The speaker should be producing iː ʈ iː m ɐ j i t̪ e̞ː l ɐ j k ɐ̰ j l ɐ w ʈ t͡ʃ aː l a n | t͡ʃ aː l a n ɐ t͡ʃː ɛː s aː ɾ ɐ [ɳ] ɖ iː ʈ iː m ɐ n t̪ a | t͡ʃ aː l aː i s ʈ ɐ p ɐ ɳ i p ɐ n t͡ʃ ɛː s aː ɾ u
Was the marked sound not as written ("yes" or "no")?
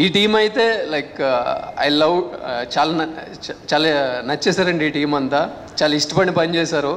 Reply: no